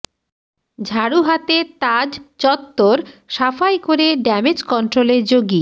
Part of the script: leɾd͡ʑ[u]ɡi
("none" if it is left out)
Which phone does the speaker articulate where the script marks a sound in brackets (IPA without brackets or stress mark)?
o